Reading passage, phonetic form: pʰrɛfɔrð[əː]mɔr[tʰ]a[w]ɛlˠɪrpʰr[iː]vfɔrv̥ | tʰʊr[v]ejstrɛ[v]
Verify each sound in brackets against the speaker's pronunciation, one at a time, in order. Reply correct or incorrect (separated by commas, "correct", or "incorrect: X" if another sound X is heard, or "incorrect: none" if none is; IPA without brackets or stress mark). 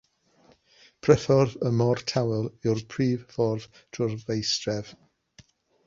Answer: incorrect: ə, correct, correct, correct, correct, correct